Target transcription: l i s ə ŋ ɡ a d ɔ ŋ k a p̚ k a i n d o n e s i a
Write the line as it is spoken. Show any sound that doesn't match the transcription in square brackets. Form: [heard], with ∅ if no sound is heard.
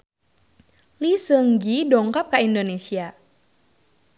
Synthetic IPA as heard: l i s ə ŋ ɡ [i] d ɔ ŋ k a p̚ k a i n d o n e s i a

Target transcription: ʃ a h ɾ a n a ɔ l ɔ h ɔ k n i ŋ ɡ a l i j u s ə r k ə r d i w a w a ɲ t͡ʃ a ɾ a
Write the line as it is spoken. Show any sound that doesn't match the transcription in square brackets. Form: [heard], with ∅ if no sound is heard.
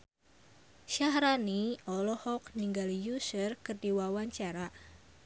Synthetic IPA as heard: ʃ a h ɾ a n [i] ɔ l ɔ h ɔ k n i ŋ ɡ a l i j u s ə r k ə r d i w a w a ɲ t͡ʃ a ɾ a

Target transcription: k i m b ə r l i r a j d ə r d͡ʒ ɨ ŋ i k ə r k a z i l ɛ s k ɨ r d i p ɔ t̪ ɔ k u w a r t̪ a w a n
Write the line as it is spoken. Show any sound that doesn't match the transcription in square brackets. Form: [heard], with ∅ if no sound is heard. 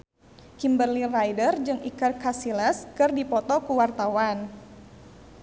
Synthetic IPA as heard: k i m b ə r l i r a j d ə r d͡ʒ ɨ ŋ i k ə r k a [s] i l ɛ s k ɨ r d i p ɔ t̪ ɔ k u w a r t̪ a w a n

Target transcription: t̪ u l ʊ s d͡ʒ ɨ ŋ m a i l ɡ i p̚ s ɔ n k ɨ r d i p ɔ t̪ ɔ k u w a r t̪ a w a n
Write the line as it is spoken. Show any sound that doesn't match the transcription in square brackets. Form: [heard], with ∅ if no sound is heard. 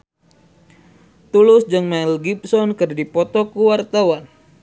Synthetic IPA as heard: t̪ u l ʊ s d͡ʒ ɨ ŋ m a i l ɡ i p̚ s ɔ n k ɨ r d i p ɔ t̪ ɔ k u w a r t̪ a w a n

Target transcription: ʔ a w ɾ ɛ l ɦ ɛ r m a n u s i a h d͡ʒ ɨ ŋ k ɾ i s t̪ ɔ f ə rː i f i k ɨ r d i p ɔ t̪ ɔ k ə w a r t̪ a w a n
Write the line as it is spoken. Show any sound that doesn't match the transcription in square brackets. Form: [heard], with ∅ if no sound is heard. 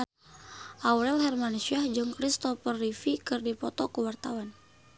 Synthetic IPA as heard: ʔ a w ɾ ɛ l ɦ ɛ r m a n u s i a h d͡ʒ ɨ ŋ k ɾ i s t̪ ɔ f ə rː i f i k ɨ r d i p ɔ t̪ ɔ k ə w a r t̪ a w a n

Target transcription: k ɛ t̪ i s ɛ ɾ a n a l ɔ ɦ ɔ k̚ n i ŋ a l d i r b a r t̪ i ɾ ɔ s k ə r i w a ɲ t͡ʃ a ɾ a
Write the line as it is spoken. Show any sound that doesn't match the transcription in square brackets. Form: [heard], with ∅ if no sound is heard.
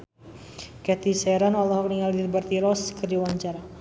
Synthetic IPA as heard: k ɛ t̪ i s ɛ ɾ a n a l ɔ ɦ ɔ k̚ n i ŋ a l d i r b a r t̪ i ɾ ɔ s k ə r i w a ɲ t͡ʃ a ɾ a

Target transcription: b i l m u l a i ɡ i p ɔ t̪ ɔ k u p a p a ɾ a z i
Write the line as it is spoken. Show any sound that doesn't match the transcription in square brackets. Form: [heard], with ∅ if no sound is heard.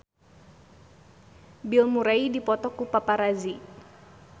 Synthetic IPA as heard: b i l m u [ɾ] a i [d] i p ɔ t̪ ɔ k u p a p a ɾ a z i

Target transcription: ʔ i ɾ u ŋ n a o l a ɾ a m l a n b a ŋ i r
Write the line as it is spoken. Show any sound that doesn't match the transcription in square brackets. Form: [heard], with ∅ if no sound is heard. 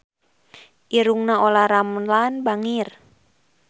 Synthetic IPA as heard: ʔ i ɾ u ŋ n a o l a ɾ a m l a n b a ŋ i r

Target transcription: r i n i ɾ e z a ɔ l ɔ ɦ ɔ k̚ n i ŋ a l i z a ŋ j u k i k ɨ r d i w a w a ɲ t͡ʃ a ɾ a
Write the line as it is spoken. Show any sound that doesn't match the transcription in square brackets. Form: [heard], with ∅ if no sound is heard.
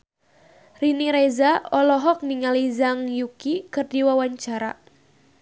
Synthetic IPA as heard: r i n i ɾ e z a ɔ l ɔ ɦ ɔ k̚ n i ŋ a l i z a ŋ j u k i k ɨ r d i w a w a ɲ t͡ʃ a ɾ a

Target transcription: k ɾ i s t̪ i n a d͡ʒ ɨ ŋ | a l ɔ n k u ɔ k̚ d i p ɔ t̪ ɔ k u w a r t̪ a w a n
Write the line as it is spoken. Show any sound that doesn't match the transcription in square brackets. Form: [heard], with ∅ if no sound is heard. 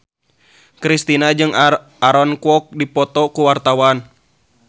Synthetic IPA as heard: k ɾ i s t̪ i n a d͡ʒ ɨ ŋ | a [ɾ] ɔ n k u ɔ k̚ d i p ɔ t̪ ɔ k u w a r t̪ a w a n

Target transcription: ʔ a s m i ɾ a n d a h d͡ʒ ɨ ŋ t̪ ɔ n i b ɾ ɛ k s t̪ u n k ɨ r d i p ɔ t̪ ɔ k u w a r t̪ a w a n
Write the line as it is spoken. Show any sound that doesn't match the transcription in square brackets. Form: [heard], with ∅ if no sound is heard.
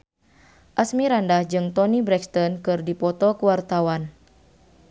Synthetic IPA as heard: ʔ a s m i ɾ a n d a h d͡ʒ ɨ ŋ t̪ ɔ n i b ɾ ɛ k s t̪ [ɔ] n k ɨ r d i p ɔ t̪ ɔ k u w a r t̪ a w a n

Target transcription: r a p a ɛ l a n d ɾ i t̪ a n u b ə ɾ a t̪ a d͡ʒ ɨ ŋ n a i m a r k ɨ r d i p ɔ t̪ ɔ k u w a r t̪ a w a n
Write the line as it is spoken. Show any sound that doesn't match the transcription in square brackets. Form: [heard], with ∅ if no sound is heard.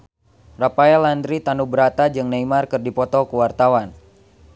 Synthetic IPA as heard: r a p a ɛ l a n d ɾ i t̪ a n u b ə ɾ a t̪ a d͡ʒ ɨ ŋ n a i m a r k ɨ r d i p ɔ t̪ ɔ k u w a r t̪ a w a n

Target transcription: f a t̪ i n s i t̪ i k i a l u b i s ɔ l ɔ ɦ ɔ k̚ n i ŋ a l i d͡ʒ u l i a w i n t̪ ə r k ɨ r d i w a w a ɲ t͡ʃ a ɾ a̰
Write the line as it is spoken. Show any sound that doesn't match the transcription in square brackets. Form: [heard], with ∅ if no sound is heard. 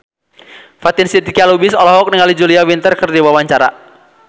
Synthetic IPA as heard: f a t̪ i n s i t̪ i k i a l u b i s ɔ l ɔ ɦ ɔ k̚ n i ŋ a l i d͡ʒ u l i a w i n t̪ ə r k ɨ r d i w a w a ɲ t͡ʃ a ɾ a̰

